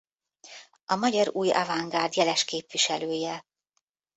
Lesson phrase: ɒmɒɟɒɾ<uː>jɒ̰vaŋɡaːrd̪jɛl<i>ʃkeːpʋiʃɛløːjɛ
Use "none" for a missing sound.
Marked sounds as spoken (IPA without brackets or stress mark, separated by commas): uː, ɛ